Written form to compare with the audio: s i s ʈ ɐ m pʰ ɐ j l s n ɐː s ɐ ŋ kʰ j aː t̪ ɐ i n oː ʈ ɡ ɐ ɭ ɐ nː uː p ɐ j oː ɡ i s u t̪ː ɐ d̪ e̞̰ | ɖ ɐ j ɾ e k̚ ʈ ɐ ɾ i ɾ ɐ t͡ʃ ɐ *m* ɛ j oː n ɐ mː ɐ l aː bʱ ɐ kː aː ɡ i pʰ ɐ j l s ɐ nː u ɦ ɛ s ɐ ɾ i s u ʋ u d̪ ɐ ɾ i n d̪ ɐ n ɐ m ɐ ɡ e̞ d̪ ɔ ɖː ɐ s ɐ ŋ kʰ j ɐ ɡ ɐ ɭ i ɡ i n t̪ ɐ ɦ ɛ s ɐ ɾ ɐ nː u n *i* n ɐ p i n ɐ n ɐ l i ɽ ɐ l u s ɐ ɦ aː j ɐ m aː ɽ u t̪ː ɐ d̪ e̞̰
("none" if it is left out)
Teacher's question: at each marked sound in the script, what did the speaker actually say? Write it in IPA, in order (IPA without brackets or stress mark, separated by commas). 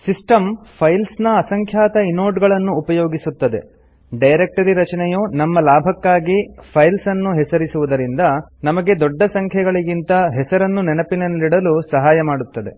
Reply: n, ɛ